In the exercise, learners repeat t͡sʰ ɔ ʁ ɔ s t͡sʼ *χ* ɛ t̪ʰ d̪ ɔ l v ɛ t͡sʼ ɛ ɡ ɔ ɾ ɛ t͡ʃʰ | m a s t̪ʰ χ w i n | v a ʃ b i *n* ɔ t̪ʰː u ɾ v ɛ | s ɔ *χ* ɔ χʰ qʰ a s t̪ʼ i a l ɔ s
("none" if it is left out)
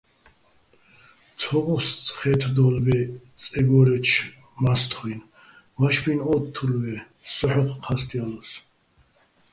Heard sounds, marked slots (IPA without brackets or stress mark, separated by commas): χ, n, ħ